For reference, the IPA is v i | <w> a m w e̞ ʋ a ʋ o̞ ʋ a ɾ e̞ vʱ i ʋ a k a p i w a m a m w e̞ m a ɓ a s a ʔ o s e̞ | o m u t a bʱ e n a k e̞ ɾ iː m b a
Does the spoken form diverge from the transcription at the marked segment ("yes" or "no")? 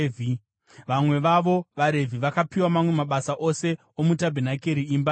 yes